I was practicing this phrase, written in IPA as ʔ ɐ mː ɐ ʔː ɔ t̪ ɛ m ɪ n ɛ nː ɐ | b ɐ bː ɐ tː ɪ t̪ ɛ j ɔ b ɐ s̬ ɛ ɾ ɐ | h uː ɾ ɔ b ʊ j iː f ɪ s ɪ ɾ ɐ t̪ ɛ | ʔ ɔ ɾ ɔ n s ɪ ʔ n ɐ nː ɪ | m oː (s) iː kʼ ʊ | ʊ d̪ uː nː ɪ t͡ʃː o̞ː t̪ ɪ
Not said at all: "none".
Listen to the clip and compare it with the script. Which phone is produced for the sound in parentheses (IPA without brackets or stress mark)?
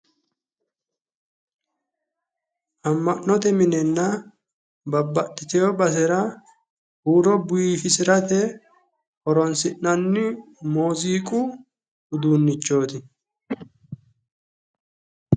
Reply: z